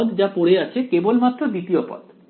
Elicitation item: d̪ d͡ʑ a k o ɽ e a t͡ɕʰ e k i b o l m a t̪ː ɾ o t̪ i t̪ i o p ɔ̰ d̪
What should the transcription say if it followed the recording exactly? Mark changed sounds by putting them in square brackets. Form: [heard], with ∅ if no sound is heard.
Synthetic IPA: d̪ d͡ʑ a [p] o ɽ e a t͡ɕʰ e k [e] b o l m a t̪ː ɾ o [d̪] i t̪ i o p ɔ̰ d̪

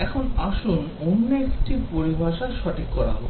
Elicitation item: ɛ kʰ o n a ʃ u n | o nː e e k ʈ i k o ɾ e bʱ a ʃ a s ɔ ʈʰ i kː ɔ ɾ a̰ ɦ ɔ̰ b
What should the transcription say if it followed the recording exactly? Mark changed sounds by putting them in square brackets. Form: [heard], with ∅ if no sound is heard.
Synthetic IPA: ɛ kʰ o n a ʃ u n | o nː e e k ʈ i [p] o ɾ [i] bʱ a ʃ a [ʃ] ɔ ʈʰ i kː ɔ ɾ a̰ ɦ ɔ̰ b

